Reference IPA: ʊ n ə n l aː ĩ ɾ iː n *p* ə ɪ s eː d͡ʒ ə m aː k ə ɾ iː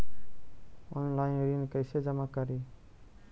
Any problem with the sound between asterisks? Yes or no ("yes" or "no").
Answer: yes